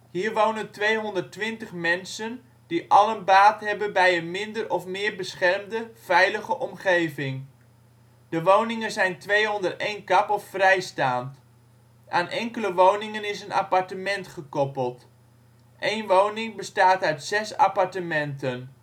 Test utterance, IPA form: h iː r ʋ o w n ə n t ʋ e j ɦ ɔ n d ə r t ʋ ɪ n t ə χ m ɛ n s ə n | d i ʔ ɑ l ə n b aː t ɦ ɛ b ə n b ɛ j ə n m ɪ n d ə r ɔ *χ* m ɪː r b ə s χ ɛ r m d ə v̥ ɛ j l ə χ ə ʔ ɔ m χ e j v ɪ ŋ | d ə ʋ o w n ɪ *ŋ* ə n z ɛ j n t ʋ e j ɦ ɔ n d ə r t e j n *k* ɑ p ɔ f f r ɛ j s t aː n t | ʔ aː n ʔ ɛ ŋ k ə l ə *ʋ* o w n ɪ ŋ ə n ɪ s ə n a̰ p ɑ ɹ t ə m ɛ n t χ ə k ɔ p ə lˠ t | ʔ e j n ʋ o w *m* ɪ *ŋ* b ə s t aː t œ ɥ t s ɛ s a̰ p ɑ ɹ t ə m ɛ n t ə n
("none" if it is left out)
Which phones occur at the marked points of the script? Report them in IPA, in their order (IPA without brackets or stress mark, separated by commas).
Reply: f, ŋ, k, ʋ, n, ŋ